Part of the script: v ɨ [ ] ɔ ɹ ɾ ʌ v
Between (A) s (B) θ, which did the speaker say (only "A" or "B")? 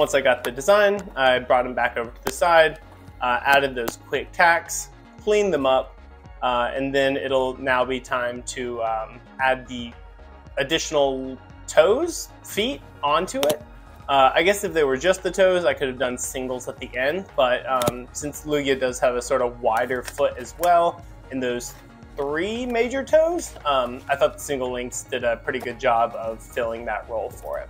A